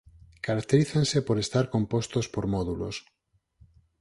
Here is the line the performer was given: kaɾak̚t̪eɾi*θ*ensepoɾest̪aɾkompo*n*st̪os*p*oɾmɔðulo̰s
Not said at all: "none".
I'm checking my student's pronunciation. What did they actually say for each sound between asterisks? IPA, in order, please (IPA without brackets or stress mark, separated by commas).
θ, none, p